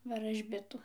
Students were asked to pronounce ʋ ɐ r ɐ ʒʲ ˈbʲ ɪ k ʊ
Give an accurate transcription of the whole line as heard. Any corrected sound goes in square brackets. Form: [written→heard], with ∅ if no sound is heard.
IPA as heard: ʋ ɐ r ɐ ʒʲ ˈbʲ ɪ [k→t] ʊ